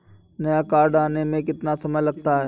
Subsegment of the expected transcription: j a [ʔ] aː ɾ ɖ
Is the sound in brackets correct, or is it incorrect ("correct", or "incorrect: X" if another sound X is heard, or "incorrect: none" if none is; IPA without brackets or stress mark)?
incorrect: k